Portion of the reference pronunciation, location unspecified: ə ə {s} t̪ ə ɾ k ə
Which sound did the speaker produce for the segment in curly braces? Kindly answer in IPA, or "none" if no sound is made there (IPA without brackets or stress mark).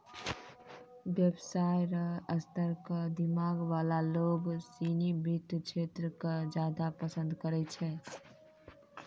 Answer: s